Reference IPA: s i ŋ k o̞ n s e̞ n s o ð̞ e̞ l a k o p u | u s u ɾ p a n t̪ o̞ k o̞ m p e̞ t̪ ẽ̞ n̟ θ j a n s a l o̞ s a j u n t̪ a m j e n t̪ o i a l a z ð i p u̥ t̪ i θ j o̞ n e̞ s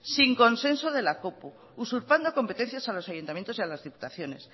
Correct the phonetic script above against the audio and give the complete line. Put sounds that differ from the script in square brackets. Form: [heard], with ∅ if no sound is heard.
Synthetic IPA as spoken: s i ŋ k o̞ n s e̞ n s o ð̞ e̞ l a k o p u | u s u ɾ p a n [d̪] o̞ k o̞ m p e̞ t̪ [e̞] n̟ θ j a [∅] s a l o̞ s a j u n t̪ a m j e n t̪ o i a l a z ð i p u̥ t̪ [a] θ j o̞ n e̞ s